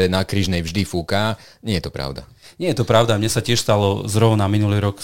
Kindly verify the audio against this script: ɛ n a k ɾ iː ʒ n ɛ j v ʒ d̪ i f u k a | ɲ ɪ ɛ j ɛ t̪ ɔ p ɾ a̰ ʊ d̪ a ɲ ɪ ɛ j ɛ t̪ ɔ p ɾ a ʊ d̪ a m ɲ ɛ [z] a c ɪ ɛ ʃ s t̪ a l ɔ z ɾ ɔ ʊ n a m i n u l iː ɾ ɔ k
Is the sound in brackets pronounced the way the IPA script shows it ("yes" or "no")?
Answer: no